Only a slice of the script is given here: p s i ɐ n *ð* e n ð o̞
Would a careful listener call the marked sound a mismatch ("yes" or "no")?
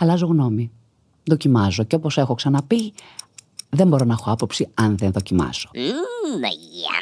no